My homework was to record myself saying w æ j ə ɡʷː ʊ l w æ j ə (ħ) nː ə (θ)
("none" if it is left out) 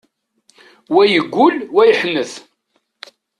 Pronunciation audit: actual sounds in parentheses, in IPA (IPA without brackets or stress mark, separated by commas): ħ, θ